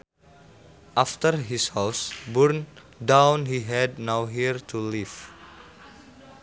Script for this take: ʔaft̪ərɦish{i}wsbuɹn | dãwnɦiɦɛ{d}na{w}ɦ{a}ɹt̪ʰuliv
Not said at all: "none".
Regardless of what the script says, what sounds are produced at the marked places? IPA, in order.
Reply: a, d, w, i

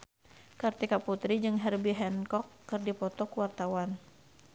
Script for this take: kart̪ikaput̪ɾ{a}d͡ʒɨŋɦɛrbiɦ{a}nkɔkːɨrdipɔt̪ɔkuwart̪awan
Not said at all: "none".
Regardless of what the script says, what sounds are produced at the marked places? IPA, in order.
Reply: i, ɛ

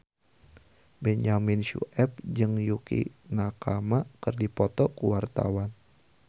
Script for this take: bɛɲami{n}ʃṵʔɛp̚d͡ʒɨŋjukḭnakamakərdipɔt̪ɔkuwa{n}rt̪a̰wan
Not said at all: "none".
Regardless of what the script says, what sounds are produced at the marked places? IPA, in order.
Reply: n, none

